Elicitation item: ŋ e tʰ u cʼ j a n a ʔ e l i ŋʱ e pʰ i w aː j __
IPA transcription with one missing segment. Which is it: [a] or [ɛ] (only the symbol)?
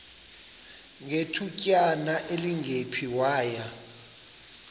a